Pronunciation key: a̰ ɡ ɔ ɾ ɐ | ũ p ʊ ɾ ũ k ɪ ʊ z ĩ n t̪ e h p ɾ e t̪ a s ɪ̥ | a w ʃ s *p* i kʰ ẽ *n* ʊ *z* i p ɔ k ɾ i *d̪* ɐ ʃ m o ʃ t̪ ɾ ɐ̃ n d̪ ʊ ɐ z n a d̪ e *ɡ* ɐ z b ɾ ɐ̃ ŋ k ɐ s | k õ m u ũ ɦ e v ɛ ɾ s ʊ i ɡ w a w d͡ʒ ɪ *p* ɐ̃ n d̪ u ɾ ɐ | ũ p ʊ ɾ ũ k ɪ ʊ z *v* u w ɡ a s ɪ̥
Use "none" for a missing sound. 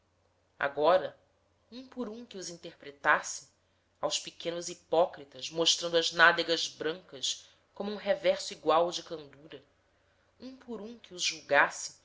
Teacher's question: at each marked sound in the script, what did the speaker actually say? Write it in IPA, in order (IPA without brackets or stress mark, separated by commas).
p, n, z, t̪, ɡ, k, ʒ